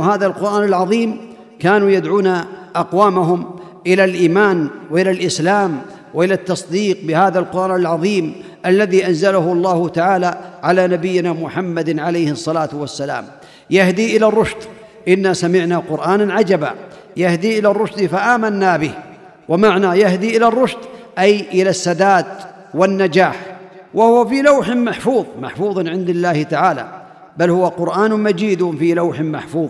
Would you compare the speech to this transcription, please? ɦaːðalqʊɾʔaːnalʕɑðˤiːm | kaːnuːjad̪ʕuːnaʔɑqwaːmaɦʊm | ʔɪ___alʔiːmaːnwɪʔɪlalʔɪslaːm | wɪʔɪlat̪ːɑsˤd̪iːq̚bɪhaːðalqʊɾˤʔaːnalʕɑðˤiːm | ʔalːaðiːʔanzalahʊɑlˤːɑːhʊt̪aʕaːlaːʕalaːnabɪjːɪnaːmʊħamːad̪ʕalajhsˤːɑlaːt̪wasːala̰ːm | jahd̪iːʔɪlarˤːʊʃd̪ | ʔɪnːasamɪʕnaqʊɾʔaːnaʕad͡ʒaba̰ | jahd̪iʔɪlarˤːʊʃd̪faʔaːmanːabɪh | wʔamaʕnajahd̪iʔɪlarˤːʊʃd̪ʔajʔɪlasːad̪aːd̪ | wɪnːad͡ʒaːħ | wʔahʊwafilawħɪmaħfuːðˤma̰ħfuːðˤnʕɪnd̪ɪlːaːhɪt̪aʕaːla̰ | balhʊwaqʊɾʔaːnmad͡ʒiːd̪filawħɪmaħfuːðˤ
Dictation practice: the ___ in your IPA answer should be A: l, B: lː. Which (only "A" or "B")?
A